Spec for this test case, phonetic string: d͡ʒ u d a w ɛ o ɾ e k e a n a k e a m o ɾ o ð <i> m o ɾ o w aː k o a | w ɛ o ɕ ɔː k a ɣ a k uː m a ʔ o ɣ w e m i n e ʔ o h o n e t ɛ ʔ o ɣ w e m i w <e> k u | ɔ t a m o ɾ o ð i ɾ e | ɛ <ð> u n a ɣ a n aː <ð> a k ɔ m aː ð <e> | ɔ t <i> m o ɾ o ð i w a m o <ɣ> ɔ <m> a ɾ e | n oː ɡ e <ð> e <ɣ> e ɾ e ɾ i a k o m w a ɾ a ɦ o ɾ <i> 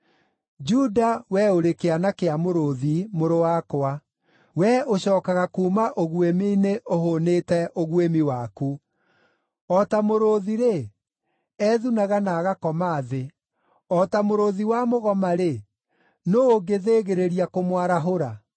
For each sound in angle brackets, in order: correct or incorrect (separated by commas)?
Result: correct, incorrect, correct, incorrect, correct, incorrect, correct, correct, correct, correct, incorrect